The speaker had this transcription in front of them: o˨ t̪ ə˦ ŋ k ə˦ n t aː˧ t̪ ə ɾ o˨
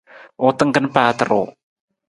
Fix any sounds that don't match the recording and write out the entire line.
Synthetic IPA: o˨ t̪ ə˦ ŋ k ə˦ n p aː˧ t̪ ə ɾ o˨